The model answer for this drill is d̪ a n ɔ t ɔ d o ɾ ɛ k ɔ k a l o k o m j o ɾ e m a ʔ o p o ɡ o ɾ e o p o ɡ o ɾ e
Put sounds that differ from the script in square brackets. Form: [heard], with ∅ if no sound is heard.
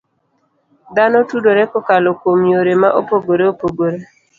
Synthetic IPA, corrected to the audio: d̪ a n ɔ t [u] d o ɾ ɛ k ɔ k a l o k o m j o ɾ e m a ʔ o p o ɡ o ɾ e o p o ɡ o ɾ e